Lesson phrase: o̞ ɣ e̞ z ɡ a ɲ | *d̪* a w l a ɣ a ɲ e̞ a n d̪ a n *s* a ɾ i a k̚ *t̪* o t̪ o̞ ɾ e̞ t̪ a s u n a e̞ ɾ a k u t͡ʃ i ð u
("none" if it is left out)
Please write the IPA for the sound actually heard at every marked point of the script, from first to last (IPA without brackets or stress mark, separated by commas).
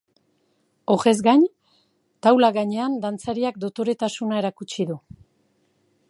t̪, t͡s, d̪